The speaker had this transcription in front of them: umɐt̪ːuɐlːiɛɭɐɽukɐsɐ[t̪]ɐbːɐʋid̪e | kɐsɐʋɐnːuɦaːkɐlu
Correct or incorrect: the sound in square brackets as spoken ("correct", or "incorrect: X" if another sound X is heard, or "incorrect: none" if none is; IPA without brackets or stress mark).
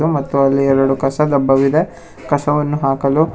incorrect: d̪